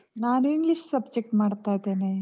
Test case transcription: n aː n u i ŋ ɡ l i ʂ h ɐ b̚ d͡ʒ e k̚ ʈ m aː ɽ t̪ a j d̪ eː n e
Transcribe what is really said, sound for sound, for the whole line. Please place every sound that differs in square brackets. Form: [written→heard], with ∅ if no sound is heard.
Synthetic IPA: n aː n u i ŋ ɡ l i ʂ [h→s] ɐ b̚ d͡ʒ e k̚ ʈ m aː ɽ t̪ a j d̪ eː n e